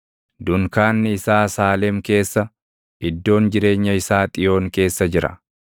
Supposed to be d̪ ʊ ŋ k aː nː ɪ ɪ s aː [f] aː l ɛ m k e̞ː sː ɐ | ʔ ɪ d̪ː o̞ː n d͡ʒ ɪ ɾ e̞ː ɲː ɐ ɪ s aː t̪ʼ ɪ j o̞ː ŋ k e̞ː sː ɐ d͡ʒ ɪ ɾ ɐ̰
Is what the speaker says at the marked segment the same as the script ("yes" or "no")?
no